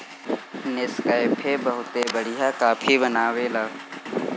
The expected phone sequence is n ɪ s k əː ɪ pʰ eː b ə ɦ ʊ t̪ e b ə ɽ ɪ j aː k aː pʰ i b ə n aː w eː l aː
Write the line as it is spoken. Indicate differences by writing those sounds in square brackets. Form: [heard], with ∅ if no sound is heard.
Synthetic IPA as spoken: n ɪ s k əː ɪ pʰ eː b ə ɦ ʊ t̪ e b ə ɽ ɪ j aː k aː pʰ i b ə n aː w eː l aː